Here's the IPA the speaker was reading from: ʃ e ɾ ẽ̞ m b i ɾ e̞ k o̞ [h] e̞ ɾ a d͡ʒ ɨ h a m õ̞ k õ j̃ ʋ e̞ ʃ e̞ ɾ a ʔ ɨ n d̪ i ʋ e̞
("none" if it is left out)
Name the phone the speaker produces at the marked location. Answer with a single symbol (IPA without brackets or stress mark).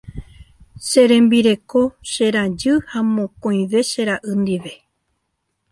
ʃ